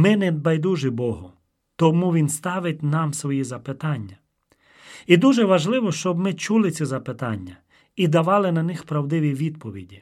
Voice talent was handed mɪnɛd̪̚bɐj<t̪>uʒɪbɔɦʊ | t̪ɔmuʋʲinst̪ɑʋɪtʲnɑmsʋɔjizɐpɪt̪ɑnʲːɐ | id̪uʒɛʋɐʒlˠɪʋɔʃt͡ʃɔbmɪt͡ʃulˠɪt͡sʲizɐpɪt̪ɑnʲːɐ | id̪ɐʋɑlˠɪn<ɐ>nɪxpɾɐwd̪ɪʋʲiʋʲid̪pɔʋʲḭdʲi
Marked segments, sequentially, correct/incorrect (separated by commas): incorrect, correct